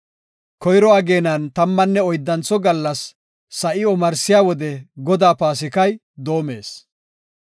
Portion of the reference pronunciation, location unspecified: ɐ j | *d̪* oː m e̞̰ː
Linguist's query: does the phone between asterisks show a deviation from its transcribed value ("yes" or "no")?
no